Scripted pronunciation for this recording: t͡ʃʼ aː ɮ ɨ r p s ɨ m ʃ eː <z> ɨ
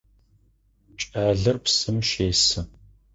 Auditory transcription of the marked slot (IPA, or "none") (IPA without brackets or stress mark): s